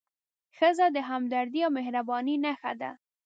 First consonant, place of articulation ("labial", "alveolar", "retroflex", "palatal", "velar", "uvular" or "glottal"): velar